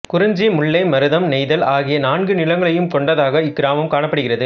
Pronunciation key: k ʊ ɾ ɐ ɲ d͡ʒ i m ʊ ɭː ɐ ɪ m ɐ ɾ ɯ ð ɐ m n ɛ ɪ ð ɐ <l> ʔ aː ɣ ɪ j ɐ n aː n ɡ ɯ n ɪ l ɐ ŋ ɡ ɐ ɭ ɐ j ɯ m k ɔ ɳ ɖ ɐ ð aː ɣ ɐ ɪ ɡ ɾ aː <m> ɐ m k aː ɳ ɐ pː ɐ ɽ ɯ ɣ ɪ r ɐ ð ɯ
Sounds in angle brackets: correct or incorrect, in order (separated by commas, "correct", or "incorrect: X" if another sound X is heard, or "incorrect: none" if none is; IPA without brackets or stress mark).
correct, correct